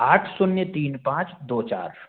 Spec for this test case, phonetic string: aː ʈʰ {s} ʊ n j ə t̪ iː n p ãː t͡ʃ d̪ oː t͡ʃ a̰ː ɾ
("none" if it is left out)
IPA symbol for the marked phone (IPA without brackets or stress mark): s